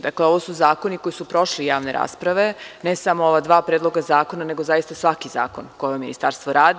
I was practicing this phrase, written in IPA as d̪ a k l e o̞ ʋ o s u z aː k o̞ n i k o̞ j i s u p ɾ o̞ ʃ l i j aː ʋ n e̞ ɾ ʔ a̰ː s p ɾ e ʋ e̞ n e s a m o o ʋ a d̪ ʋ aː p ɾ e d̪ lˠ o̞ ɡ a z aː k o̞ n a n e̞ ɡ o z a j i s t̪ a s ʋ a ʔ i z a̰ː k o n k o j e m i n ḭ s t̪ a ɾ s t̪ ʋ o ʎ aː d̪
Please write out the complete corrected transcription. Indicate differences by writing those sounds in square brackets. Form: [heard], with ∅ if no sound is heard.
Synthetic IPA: d̪ a k l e o̞ ʋ o s u z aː k o̞ n i k o̞ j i s u p ɾ o̞ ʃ l i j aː ʋ n e̞ ɾ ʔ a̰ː s p ɾ [a] ʋ e̞ n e s a m o o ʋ a d̪ ʋ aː p ɾ e d̪ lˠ o̞ ɡ a z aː k o̞ n a n e̞ ɡ o z a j i s t̪ a s ʋ a [k] i z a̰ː k o n k o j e m i n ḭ s t̪ a ɾ s t̪ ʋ o [ɾ] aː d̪

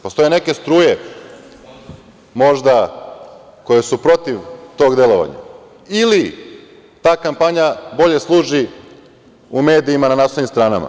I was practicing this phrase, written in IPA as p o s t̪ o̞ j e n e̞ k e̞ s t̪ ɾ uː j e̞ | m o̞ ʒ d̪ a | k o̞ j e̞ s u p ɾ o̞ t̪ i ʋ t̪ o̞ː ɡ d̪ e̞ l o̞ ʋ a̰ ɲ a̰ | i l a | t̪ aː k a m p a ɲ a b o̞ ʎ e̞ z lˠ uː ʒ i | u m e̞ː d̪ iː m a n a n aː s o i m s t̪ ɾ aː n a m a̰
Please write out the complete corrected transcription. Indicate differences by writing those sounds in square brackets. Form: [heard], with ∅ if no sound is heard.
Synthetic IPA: p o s t̪ o̞ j e n e̞ k e̞ s t̪ ɾ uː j e̞ | m o̞ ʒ d̪ a | k o̞ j e̞ s u p ɾ o̞ t̪ i ʋ t̪ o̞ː ɡ d̪ e̞ l o̞ ʋ a̰ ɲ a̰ | i l [i] | t̪ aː k a m p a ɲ a b o̞ ʎ e̞ [s] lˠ uː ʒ i | u m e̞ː d̪ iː m a n a n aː s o i m s t̪ ɾ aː n a m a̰

